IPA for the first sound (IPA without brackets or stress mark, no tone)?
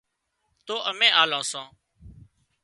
t̪